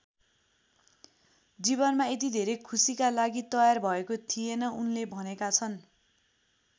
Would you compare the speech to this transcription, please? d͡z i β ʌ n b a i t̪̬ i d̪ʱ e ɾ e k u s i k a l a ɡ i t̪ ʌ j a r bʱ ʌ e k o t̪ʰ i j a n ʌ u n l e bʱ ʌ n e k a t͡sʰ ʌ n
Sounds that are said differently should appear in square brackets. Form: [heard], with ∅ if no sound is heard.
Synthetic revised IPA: d͡z i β ʌ n [m] a [e] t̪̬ i d̪ʱ e ɾ e [kʰ] u s i k a l a ɡ i t̪ ʌ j a r bʱ ʌ e k o t̪ʰ i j [e] n ʌ u n l e bʱ ʌ n e k a t͡sʰ ʌ n

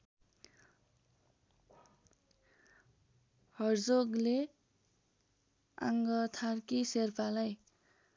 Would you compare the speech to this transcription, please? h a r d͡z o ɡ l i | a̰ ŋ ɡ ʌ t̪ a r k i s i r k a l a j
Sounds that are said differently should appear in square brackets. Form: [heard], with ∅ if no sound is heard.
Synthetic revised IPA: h [ʌ] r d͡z o ɡ l [e] | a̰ ŋ ɡ ʌ [t̪ʰ] a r k i s [e] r [p] a l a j

